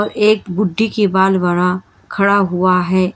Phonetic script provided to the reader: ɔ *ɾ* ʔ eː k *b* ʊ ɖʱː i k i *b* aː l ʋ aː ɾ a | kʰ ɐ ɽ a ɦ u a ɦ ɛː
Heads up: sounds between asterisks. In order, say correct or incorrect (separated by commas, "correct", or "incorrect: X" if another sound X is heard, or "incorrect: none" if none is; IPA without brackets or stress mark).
correct, correct, correct